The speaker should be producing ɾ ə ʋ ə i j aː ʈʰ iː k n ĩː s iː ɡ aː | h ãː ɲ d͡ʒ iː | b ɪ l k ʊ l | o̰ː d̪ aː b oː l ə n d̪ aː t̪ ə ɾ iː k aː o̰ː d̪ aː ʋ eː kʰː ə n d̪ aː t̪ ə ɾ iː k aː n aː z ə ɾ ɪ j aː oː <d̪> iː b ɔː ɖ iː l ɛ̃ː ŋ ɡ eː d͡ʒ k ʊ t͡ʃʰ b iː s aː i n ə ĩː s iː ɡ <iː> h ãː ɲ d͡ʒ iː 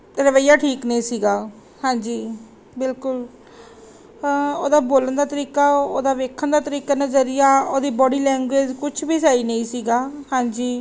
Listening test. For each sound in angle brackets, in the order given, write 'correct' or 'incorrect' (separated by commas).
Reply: correct, incorrect